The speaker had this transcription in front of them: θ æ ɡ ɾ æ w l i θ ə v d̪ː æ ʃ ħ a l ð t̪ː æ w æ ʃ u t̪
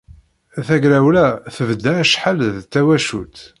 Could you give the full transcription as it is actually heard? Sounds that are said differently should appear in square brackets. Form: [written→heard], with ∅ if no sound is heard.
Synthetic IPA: θ æ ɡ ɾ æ w l [i→æ] θ ə v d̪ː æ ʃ ħ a l ð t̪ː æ w æ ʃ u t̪